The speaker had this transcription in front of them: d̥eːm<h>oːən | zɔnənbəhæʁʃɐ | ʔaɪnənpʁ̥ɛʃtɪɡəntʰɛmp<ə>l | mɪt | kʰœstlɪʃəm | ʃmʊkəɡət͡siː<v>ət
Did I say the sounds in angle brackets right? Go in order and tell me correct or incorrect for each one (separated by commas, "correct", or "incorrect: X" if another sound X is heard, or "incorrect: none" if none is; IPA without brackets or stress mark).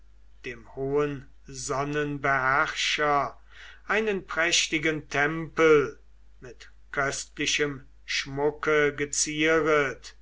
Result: correct, correct, incorrect: ʁ